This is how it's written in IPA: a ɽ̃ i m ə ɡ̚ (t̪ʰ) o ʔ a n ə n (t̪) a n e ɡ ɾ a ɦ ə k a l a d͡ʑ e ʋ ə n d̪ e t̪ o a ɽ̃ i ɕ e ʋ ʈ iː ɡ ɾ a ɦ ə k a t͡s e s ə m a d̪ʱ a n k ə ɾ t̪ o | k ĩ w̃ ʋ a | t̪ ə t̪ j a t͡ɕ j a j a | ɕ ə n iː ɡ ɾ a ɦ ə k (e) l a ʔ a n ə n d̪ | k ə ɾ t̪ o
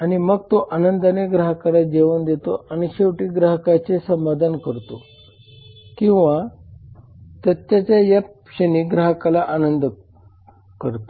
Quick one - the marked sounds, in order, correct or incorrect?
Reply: incorrect, incorrect, incorrect

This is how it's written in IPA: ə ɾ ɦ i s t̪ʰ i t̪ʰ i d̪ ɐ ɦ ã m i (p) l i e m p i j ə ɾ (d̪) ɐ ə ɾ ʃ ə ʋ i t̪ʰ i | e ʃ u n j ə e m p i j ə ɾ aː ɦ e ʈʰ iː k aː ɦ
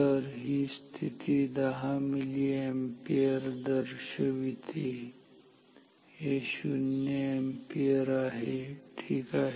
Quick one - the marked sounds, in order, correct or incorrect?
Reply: incorrect, correct

